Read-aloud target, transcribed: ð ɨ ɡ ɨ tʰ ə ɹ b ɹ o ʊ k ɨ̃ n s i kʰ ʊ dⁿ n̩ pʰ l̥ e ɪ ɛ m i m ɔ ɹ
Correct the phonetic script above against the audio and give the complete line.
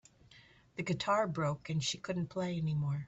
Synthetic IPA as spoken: ð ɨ ɡ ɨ tʰ ɑ ɹ b ɹ o ʊ k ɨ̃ n ʃ i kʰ ʊ dⁿ n̩ pʰ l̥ e ɪ ɛ n i m ɔ ɹ